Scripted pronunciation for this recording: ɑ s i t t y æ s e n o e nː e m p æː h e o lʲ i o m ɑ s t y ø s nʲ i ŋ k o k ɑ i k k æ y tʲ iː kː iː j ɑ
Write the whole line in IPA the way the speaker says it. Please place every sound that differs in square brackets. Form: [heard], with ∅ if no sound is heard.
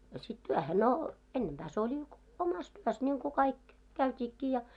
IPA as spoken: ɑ s i t t y æ [h] e n o e nː e m p æː [s] e o lʲ i o m ɑ s t y ø s nʲ i ŋ k [u] k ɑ i k k æ y tʲ iː kː iː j ɑ